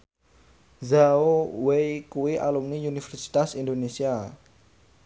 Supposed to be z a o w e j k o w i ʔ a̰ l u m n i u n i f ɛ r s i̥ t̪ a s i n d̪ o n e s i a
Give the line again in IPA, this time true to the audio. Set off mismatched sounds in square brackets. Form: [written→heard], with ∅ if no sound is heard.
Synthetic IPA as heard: z a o w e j k [o→u] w i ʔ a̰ l u m n i u n i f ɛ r s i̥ t̪ a s i n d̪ o n e s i a